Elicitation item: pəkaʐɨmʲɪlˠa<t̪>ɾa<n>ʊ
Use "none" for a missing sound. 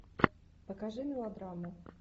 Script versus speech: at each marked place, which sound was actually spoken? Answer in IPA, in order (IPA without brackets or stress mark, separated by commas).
d̪, m